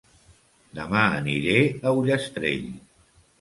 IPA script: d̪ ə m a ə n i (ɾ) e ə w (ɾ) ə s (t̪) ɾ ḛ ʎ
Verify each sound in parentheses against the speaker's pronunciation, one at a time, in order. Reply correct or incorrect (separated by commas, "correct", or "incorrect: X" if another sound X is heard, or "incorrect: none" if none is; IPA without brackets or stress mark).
correct, incorrect: ʎ, correct